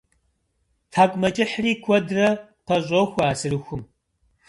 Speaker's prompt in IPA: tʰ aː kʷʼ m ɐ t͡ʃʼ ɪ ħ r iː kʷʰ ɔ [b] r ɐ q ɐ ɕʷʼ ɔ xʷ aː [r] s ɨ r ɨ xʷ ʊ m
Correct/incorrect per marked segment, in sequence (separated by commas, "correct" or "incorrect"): incorrect, incorrect